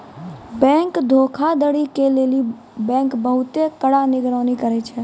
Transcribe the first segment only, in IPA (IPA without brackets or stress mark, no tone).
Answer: b